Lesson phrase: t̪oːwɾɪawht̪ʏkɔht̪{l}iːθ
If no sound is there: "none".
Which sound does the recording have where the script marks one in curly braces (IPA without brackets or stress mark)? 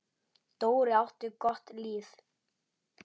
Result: l